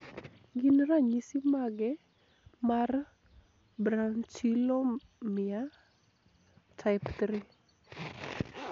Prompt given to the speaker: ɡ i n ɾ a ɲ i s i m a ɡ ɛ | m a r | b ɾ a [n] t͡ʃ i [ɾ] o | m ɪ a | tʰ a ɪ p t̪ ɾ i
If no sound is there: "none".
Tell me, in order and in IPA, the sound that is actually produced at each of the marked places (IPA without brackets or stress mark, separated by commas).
n, l